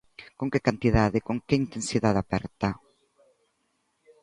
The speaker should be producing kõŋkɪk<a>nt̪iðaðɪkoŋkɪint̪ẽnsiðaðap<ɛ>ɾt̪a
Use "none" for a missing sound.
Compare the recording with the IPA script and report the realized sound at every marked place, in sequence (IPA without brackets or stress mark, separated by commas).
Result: a, ɛ